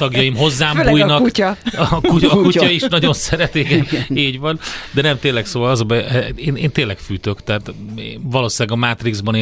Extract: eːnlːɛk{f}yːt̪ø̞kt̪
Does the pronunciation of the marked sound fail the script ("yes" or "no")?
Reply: no